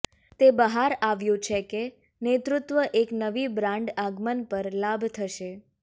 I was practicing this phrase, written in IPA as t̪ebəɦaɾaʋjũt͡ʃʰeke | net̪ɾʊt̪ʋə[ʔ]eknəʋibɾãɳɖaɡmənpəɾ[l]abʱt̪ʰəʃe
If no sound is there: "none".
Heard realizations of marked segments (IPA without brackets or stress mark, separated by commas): ʔ, l